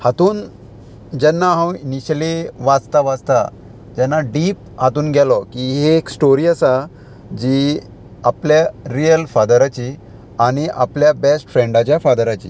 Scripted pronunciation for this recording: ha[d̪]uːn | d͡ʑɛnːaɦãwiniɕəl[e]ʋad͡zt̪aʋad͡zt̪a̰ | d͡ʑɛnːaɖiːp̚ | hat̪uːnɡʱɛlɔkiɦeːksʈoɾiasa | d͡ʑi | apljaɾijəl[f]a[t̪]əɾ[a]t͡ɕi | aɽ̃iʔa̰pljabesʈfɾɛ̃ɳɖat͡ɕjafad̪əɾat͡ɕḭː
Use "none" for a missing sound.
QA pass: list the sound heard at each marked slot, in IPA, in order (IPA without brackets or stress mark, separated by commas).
t̪, i, f, d̪, a